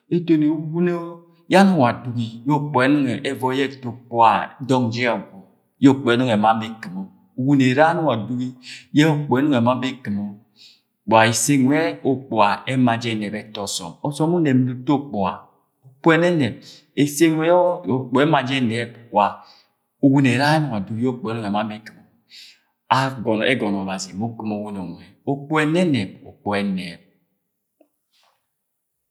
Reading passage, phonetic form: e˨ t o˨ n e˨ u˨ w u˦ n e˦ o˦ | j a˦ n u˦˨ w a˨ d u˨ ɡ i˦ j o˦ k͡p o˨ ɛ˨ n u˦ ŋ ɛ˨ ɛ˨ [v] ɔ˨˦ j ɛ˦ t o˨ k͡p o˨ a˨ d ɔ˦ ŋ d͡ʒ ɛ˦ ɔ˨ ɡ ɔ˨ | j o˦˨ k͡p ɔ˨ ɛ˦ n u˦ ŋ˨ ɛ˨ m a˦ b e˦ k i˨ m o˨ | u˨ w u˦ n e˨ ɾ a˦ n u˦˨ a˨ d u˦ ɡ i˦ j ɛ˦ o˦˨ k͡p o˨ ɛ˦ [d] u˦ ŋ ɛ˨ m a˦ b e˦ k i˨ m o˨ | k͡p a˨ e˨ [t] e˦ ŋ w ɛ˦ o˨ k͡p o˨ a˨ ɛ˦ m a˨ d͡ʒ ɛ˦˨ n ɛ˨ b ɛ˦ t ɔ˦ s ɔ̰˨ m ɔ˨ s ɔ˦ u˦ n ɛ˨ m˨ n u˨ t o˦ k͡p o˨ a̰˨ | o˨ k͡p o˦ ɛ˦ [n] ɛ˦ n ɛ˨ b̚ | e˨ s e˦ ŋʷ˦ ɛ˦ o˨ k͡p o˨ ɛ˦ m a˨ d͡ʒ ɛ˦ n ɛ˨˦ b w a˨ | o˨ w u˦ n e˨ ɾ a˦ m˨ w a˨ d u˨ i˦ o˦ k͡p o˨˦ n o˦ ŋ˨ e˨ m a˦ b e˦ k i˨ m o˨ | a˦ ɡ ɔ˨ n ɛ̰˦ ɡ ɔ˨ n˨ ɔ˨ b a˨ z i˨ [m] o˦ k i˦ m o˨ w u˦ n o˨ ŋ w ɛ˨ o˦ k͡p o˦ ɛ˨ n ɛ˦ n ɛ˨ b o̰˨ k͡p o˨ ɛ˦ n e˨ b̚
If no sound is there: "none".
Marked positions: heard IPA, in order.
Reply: v, n, s, n, m

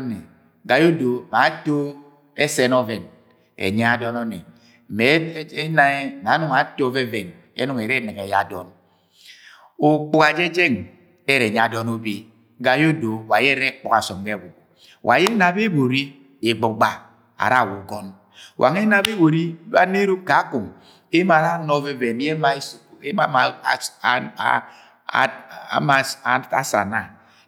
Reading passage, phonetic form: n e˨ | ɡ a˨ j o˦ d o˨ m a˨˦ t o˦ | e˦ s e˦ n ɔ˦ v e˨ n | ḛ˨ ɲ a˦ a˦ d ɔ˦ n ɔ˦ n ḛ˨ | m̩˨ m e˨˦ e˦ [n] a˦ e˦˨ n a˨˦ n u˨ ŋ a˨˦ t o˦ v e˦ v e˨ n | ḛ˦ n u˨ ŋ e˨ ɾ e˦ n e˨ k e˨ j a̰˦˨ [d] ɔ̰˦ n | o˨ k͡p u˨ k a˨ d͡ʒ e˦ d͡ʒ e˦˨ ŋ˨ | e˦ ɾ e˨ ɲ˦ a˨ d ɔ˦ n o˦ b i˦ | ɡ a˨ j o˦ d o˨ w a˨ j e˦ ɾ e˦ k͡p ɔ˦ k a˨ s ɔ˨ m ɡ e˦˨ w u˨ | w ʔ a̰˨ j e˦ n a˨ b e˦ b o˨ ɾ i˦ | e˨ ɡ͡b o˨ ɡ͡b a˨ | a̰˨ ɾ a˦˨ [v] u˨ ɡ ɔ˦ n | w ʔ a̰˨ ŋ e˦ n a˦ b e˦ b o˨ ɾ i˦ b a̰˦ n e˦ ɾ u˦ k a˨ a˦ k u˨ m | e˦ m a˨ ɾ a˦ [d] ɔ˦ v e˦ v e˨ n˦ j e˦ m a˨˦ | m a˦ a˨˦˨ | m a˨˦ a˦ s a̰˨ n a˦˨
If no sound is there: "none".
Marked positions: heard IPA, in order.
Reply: n, d, w, n

